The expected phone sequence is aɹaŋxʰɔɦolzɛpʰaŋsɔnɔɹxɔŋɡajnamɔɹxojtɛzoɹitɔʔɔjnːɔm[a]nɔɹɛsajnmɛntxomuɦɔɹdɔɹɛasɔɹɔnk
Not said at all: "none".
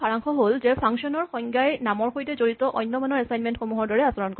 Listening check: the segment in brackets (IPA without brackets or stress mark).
a